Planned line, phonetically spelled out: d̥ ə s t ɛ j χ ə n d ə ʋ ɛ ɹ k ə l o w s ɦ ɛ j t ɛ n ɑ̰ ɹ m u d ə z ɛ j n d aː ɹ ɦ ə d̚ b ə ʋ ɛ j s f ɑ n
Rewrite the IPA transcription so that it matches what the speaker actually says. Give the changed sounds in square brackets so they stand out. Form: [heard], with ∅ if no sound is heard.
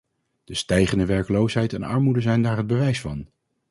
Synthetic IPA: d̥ ə s t ɛ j χ ə n d ə ʋ ɛ ɹ k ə l o w s ɦ ɛ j t ɛ n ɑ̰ ɹ m u d ə z ɛ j n d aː ɹ ɦ ə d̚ b ə ʋ ɛ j s f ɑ n